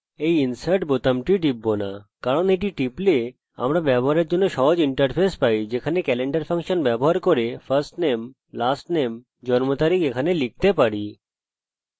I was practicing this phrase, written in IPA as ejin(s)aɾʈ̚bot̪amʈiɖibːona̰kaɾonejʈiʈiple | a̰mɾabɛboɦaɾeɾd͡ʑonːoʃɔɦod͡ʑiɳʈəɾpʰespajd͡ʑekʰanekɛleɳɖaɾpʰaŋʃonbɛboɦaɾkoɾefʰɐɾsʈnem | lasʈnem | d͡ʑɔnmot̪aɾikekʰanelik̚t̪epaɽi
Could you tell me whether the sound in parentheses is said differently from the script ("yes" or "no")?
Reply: no